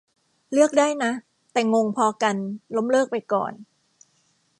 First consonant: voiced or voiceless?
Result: voiced